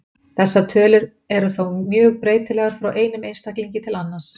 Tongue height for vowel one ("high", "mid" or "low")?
mid